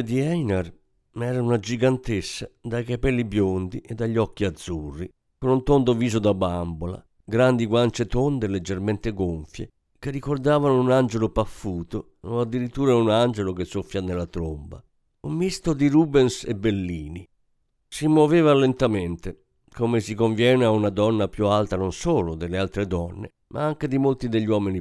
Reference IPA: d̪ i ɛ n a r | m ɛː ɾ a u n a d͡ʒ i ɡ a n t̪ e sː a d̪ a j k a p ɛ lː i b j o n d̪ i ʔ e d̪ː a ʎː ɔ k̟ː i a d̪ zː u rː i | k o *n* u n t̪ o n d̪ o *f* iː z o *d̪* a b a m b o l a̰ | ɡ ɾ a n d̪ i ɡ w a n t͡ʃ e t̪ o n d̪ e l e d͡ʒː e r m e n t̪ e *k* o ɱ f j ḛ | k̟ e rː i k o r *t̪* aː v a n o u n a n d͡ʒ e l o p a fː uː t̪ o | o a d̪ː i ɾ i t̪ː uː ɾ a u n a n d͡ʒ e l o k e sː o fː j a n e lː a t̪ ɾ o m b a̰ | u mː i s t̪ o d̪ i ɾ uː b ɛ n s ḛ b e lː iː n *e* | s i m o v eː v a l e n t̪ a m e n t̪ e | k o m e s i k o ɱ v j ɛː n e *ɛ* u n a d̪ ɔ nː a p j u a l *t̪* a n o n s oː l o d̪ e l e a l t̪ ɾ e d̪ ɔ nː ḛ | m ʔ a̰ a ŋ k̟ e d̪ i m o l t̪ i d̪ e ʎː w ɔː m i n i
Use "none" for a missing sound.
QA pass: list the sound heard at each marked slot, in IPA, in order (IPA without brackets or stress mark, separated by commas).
n, v, d̪, ɡ, d̪, i, a, t̪